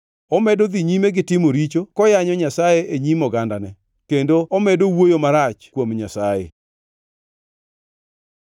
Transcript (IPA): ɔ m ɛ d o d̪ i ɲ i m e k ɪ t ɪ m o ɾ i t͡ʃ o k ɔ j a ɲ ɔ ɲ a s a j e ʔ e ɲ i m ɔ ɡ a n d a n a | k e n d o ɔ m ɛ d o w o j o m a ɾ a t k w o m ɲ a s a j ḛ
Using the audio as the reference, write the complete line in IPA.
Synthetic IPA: ɔ m ɛ d o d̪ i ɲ i m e ɡ ɪ t ɪ m o ɾ i t͡ʃ o k ɔ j a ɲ ɔ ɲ a s a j e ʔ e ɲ i m ɔ ɡ a n d a n ɛ | k e n d o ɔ m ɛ d o w o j o m a ɾ a t͡ʃ k w o m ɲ a s a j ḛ

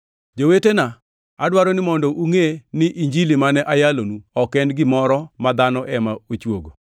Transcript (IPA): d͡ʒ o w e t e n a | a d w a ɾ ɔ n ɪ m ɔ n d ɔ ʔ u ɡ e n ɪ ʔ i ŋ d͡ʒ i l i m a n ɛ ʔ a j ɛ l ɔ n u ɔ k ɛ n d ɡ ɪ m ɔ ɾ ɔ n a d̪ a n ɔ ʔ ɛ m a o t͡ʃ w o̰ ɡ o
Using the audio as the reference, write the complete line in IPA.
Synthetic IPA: d͡ʒ o w e t e n a | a d w a ɾ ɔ n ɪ m ɔ n d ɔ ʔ u ŋ e n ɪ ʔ i ɲ d͡ʒ i l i m a n ɛ ʔ a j a l o n u ɔ k ɛ n d ɡ ɪ m ɔ ɾ ɔ m a d̪ a n ɔ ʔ ɛ m a o t͡ʃ w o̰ ɡ o

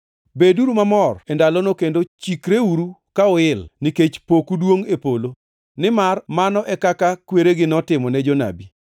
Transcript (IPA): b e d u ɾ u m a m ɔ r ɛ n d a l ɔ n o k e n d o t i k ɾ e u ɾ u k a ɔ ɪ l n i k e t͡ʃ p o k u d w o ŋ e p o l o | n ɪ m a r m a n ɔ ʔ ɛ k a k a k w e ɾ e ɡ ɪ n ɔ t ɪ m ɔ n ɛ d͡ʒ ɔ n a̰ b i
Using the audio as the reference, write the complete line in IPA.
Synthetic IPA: b e d u ɾ u m a m ɔ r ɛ n d a l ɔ n o k e n d o t͡ʃ i k ɾ e u ɾ u k a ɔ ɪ l n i k e t͡ʃ p o k u d w o ŋ e p o l o | n ɪ m a r m a n ɔ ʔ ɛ k a k a k w e ɾ e ɡ ɪ n ɔ t ɪ m ɔ n ɛ d͡ʒ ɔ n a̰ b i

